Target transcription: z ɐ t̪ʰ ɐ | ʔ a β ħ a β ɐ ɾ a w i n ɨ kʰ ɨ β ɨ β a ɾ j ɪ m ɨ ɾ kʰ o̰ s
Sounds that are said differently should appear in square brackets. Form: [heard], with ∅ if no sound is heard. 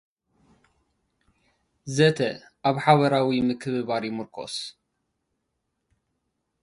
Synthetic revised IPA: z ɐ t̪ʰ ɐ | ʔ a β ħ a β ɐ ɾ a w i [m] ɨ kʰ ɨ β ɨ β a ɾ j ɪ m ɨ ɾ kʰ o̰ s